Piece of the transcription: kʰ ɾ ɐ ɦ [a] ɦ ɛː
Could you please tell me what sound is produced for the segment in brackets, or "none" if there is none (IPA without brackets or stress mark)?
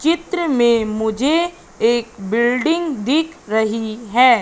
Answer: i